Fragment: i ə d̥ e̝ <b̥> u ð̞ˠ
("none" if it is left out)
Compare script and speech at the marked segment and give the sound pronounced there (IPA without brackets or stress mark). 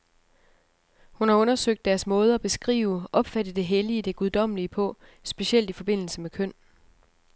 ɡ̥